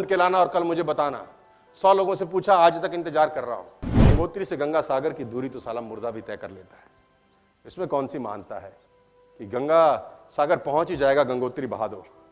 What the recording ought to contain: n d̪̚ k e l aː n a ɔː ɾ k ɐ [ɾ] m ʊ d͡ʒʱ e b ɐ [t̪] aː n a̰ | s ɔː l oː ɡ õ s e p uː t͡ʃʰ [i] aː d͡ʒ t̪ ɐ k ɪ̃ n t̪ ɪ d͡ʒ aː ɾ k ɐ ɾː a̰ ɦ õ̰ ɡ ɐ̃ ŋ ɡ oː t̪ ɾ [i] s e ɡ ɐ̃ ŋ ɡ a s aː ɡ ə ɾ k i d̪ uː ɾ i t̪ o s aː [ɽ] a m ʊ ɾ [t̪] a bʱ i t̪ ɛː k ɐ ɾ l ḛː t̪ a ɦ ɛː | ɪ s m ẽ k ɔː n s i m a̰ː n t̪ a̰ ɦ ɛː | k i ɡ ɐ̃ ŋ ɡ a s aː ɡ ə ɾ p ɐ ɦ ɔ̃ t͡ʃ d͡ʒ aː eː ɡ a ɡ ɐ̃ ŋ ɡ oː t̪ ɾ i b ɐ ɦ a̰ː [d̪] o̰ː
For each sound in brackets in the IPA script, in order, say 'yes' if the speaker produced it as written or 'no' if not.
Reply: no, yes, no, yes, no, no, yes

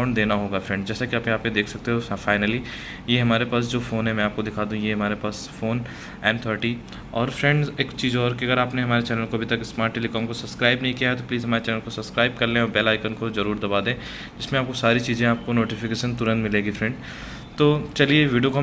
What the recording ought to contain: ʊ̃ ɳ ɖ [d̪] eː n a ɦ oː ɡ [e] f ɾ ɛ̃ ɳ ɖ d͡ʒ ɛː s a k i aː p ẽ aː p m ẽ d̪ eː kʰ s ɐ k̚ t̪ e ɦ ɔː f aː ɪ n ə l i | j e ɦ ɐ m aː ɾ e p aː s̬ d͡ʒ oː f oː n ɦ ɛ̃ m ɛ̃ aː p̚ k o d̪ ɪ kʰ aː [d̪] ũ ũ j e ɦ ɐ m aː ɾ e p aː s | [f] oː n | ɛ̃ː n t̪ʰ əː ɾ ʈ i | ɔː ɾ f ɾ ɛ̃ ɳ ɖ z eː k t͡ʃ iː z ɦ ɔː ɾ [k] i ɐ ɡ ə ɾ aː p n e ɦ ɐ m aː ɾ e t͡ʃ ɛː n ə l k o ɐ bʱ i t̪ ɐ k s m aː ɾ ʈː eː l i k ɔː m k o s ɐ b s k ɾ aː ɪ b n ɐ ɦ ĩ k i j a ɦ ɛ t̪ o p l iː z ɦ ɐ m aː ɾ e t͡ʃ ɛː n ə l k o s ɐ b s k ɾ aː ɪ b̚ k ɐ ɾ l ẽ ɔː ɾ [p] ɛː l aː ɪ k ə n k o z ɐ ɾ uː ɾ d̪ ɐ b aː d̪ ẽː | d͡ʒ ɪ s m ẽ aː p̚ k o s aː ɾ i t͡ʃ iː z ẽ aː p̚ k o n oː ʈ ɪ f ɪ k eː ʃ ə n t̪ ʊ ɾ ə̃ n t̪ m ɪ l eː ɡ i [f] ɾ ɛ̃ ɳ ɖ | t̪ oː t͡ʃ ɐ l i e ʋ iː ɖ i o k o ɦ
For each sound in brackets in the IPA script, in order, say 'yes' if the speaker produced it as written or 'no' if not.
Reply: yes, no, yes, yes, yes, no, yes

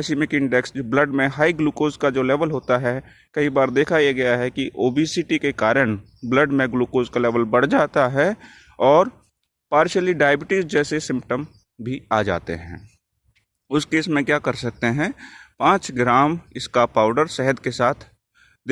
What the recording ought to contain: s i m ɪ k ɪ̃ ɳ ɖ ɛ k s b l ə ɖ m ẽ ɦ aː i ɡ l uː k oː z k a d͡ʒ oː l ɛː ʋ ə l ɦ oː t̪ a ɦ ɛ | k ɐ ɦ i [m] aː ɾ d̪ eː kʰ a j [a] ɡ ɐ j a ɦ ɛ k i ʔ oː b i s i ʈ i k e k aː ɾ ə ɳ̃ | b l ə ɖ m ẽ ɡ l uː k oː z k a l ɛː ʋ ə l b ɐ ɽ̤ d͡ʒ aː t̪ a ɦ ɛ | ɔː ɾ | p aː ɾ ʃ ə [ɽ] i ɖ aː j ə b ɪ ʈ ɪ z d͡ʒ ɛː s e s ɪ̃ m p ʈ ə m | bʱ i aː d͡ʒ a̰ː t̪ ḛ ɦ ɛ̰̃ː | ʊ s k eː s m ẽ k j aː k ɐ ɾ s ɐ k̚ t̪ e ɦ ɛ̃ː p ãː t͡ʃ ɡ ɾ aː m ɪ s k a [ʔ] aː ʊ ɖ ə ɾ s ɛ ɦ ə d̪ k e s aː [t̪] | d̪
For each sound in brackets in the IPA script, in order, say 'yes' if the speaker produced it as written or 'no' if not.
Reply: no, no, no, no, no

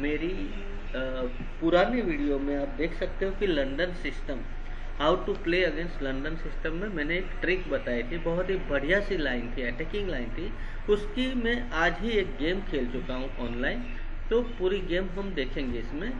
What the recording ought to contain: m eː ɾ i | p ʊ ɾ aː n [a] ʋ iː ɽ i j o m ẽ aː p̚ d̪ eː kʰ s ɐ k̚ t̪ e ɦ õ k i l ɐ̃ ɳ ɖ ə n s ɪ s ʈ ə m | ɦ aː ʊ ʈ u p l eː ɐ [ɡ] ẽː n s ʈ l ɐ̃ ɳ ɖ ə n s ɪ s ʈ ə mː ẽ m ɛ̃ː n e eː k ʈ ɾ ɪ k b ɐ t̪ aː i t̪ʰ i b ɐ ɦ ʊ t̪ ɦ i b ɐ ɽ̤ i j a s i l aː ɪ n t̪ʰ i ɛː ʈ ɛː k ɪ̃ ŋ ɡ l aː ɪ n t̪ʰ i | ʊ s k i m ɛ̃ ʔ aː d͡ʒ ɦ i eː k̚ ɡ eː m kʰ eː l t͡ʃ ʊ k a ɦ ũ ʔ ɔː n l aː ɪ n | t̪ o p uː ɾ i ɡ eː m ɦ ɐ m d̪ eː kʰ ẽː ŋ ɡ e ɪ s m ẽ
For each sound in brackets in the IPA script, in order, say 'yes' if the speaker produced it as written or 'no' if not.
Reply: no, yes

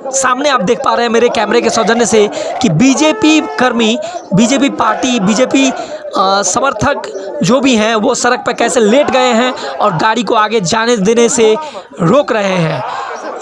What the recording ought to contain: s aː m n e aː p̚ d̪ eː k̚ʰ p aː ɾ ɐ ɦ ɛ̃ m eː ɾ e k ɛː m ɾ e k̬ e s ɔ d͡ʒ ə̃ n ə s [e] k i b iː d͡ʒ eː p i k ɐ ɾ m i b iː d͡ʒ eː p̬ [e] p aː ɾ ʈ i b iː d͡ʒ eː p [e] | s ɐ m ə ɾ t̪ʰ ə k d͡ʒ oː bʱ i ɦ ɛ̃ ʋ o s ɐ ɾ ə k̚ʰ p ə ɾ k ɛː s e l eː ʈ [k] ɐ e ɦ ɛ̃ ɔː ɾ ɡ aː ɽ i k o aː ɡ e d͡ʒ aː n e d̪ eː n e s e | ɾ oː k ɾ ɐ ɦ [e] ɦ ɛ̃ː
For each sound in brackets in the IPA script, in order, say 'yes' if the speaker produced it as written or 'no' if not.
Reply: yes, no, no, no, yes

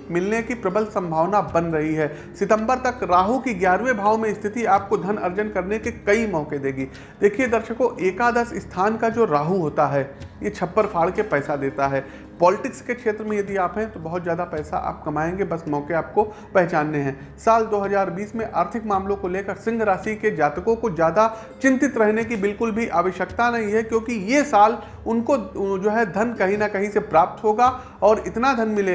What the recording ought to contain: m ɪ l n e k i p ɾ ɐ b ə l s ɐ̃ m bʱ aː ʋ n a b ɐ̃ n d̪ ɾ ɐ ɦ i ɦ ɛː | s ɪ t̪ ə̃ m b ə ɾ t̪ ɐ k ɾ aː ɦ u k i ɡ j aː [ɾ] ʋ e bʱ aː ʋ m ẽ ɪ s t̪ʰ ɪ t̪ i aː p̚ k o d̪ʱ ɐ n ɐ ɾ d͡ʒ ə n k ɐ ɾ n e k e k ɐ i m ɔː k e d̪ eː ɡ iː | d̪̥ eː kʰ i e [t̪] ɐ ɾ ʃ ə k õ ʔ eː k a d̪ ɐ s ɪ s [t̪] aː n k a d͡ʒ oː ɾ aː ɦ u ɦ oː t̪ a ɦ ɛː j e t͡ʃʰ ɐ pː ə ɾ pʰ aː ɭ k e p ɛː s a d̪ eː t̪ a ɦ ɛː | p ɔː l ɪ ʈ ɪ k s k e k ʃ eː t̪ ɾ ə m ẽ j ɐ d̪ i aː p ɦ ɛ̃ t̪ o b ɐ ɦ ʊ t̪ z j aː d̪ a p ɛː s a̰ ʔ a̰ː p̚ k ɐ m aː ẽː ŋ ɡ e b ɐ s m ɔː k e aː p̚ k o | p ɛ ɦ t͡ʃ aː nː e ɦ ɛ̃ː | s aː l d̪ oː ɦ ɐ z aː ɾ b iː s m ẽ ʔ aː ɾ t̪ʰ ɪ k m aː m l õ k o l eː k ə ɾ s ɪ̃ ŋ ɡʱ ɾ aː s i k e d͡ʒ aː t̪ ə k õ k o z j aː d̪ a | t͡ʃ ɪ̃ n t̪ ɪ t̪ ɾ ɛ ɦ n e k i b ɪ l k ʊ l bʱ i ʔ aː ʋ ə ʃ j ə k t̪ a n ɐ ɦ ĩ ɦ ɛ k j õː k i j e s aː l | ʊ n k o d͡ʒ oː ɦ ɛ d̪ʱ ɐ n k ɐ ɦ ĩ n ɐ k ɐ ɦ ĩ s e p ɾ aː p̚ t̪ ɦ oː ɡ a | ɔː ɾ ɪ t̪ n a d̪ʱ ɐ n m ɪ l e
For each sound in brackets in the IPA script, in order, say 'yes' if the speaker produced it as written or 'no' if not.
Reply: yes, no, no

